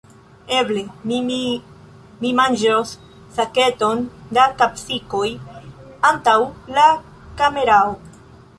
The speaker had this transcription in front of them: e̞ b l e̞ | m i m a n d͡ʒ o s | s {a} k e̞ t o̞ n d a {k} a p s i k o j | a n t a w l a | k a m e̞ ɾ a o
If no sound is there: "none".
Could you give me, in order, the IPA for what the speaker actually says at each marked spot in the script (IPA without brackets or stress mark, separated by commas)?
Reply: a, k